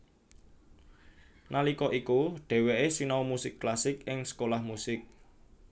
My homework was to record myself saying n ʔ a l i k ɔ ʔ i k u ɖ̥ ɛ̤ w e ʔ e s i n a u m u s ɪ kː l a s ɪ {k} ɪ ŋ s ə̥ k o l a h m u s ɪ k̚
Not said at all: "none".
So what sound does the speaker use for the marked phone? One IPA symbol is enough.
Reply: k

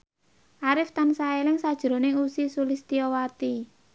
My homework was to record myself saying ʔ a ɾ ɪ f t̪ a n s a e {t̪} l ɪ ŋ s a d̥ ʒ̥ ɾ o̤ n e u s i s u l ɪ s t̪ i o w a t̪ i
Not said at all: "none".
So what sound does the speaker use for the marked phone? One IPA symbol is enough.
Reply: none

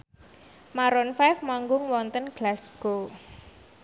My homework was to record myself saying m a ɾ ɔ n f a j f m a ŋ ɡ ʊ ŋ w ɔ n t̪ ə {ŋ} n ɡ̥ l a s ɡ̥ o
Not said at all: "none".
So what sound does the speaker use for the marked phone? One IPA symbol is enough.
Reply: none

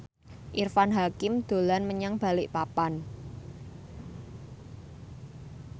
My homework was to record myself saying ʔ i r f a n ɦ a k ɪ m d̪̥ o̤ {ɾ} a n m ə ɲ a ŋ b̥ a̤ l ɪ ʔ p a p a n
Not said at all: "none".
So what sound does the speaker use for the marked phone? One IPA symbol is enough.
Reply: l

